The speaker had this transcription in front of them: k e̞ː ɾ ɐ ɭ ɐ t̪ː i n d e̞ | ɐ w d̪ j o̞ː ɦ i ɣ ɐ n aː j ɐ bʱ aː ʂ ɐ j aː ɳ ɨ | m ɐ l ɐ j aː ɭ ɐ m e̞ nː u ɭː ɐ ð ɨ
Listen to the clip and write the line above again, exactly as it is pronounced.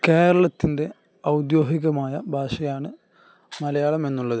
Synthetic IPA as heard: k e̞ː ɾ ɐ ɭ ɐ t̪ː i n d e̞ | ɐ w d̪ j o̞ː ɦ i ɣ ɐ m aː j ɐ bʱ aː ʂ ɐ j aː ɳ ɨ | m ɐ l ɐ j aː ɭ ɐ m e̞ nː u ɭː ɐ ð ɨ